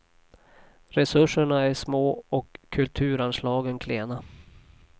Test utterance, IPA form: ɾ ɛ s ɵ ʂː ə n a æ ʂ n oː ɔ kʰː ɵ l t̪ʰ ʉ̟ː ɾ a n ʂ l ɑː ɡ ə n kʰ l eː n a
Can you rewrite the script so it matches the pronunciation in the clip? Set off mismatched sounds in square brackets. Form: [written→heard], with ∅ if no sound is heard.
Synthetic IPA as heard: ɾ ɛ s ɵ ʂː ə [n→ɳ] a æ ʂ [n→m] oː ɔ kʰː ɵ l t̪ʰ ʉ̟ː ɾ a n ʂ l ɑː ɡ ə n kʰ l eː n a